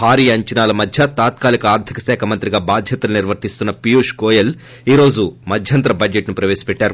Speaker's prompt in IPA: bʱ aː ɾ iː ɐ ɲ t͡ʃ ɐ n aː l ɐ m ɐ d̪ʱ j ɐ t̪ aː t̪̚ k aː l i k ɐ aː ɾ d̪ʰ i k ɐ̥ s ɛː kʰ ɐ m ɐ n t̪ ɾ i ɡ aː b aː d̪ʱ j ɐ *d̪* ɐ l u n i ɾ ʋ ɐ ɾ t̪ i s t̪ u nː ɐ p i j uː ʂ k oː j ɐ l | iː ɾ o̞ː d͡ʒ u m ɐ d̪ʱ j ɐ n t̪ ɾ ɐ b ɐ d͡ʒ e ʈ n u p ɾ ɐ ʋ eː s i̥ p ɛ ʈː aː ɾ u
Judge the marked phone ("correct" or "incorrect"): incorrect